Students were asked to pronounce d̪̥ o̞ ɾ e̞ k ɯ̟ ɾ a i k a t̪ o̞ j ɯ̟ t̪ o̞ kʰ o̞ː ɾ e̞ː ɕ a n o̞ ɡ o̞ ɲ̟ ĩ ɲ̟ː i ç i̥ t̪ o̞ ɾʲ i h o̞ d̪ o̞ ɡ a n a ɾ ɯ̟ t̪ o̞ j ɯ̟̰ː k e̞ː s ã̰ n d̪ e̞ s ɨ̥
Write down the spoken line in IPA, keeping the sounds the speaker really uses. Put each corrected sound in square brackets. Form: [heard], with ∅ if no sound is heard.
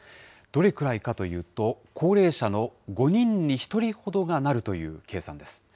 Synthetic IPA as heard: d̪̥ o̞ ɾ e̞ k ɯ̟ ɾ a i k a t̪ o̞ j [ɯ̟ː] t̪ o̞ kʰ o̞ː ɾ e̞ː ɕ a n o̞ ɡ o̞ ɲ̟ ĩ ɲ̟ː i ç i̥ t̪ o̞ ɾʲ i h o̞ d̪ o̞ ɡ a n a ɾ ɯ̟ t̪ o̞ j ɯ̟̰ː k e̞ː s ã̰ n d̪ e̞ s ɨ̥